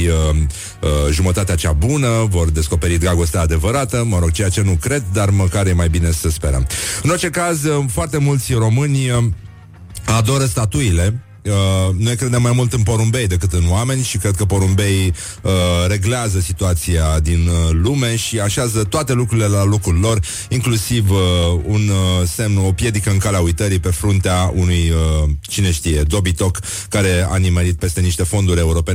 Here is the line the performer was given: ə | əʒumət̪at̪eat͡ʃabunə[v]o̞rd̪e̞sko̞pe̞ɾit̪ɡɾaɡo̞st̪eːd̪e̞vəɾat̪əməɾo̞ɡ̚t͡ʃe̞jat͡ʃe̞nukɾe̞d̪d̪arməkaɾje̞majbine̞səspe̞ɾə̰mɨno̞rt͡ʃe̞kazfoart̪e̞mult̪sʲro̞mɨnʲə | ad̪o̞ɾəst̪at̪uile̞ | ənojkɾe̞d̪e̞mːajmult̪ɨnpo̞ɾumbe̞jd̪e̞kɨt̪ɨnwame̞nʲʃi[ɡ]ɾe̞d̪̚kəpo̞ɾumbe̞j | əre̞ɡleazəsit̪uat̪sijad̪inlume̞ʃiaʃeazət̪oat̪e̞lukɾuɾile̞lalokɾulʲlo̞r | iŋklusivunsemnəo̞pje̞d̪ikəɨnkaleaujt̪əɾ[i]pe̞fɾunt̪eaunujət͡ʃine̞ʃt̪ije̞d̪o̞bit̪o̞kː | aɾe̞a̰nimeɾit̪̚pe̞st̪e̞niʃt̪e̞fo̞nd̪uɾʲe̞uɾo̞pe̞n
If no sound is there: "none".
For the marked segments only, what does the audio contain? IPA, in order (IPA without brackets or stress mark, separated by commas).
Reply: v, k, i